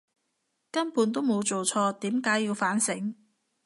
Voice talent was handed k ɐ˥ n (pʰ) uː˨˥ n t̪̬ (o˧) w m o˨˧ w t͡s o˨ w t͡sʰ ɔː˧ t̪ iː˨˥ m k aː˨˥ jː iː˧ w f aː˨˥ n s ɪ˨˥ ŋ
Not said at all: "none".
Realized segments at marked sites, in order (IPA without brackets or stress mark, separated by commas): p, o˥